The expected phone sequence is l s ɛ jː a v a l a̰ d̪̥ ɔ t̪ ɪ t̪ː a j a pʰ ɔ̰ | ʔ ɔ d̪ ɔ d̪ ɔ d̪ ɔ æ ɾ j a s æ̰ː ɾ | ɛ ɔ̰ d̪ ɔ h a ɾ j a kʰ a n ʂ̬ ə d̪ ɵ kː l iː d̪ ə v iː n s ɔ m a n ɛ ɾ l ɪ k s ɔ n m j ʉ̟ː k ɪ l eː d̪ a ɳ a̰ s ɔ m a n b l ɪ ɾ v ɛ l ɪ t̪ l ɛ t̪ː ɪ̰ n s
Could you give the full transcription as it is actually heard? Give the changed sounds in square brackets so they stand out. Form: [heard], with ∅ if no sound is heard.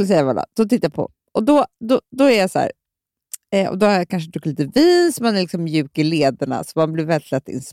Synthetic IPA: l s ɛ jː a v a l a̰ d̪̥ ɔ t̪ ɪ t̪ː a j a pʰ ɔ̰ | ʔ ɔ d̪ ɔ d̪ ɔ d̪ ɔ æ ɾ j a s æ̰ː ɾ | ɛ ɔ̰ d̪ ɔ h a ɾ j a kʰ a n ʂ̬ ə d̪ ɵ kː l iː [t̪] ə v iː n s ɔ m a n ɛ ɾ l ɪ k s ɔ [m] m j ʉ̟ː k ɪ l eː d̪ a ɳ a̰ s ɔ m a n b l ɪ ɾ v ɛ l ɪ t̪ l ɛ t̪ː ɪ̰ n s